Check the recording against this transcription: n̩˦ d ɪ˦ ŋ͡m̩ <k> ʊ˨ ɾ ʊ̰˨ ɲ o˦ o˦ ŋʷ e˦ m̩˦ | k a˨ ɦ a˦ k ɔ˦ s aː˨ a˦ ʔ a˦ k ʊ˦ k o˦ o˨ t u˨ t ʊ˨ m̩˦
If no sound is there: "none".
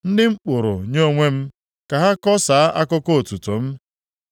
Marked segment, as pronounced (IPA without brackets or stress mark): k͡p